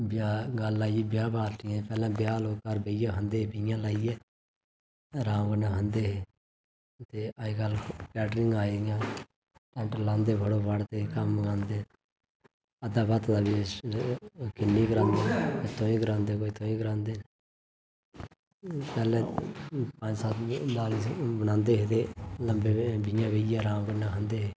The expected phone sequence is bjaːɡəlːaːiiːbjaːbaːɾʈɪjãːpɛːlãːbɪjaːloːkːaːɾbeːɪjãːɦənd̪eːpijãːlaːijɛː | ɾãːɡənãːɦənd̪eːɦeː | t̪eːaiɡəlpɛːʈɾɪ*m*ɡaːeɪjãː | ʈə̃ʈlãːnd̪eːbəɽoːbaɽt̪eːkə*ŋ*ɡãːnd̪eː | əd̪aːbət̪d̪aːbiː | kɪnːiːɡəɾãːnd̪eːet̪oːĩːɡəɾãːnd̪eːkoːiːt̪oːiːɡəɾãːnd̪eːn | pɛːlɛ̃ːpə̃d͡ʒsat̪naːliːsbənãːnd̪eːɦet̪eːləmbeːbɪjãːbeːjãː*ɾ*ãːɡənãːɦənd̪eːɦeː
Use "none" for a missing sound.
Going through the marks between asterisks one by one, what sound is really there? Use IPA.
ŋ, m, ɾ

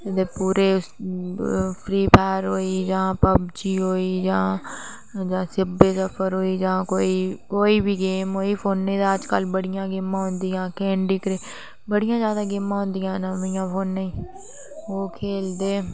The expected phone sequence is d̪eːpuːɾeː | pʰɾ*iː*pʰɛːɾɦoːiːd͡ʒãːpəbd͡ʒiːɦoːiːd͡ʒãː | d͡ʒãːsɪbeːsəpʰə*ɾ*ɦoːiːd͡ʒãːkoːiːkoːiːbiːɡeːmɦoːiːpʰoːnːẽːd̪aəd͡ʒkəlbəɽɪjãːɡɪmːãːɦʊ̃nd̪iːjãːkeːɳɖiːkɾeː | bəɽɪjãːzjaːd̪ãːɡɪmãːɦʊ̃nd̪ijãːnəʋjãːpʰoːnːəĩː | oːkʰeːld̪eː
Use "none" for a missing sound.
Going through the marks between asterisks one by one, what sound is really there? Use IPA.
iː, ɾ

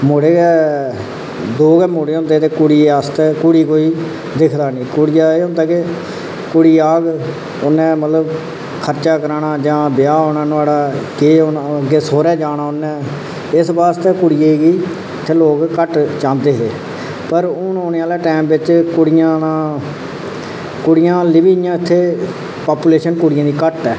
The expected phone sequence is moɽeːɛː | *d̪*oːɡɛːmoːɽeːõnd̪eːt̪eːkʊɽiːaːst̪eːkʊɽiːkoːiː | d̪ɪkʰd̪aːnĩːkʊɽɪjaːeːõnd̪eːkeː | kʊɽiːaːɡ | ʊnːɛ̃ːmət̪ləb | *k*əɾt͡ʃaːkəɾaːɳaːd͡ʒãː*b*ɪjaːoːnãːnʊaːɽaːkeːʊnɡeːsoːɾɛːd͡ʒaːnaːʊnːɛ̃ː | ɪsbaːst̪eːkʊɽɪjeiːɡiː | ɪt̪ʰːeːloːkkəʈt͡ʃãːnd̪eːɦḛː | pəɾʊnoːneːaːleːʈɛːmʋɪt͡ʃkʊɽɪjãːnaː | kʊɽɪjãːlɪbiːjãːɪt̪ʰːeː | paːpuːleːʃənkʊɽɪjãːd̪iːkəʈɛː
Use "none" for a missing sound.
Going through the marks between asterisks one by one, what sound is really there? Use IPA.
d̪, kʰ, b

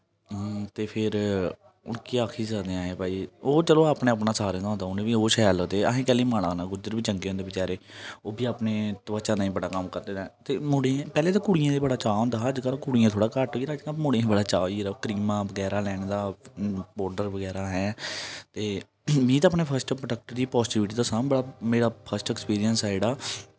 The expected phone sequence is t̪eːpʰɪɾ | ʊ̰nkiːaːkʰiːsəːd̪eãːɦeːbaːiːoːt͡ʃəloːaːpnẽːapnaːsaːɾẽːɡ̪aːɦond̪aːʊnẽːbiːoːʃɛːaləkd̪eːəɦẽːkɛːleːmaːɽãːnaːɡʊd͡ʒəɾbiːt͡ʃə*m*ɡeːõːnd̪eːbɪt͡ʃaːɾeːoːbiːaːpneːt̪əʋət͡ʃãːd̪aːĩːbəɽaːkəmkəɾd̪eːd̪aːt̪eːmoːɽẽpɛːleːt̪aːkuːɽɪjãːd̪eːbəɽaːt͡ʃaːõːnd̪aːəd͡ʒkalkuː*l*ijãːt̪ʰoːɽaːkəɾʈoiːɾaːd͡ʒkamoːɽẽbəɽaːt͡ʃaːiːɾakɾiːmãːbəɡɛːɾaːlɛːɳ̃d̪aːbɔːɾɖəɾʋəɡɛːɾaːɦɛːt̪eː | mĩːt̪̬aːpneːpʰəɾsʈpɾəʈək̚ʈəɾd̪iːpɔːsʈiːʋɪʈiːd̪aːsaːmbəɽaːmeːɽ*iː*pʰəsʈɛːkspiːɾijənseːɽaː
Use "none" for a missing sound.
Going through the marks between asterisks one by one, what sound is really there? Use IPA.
ŋ, ɽ, aː

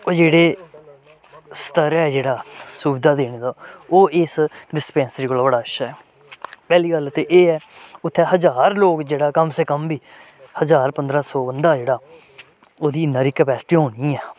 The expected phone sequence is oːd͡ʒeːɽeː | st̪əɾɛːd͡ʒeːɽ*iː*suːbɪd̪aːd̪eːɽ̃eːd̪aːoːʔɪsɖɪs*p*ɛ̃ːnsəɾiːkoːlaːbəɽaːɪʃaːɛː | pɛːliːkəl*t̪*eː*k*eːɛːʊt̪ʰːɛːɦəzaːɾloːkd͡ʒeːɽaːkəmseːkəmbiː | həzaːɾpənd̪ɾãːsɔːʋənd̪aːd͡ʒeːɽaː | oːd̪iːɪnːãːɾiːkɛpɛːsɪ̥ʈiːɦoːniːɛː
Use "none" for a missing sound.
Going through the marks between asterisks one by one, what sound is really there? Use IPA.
aː, p, t̪, ʔ

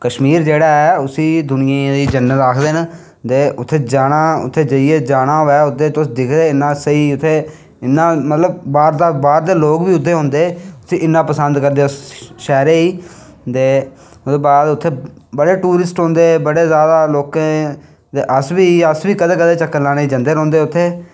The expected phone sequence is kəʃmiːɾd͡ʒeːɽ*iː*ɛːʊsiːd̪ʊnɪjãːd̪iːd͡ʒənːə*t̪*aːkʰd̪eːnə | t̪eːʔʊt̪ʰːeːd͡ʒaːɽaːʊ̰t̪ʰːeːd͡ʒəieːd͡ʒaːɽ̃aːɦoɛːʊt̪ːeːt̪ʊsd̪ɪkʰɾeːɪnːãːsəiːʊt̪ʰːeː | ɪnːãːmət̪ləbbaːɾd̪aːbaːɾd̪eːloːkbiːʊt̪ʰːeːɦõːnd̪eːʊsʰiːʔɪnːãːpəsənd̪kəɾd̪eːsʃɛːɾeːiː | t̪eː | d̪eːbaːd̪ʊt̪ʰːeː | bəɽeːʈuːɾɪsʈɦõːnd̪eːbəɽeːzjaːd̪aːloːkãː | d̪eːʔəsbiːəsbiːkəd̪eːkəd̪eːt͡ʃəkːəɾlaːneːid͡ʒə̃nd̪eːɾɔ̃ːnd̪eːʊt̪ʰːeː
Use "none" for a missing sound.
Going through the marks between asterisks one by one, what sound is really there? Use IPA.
aː, t̪

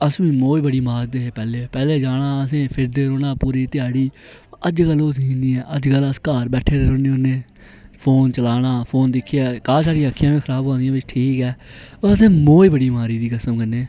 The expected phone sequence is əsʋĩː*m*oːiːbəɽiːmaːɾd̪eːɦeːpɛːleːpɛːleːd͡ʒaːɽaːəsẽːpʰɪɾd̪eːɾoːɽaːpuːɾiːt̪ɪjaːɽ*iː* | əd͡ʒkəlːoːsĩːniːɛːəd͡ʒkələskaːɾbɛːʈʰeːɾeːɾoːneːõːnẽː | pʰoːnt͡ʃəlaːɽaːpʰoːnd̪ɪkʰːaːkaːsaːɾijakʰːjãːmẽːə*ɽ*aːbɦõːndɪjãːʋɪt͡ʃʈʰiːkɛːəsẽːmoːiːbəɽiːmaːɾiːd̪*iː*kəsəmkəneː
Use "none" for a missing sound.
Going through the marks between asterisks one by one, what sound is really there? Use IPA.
m, iː, ɾ, iː

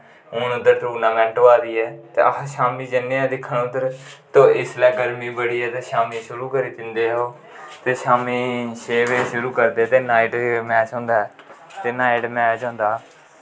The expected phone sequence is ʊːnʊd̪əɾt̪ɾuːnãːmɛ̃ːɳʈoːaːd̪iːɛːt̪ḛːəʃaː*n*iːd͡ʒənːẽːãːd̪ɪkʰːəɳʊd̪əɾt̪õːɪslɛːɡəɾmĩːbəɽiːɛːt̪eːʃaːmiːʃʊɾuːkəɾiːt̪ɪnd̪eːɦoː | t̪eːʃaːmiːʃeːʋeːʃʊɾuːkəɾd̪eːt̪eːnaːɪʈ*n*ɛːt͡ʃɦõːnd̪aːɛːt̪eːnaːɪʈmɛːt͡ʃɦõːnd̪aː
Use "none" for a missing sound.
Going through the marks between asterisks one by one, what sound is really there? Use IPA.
m, m

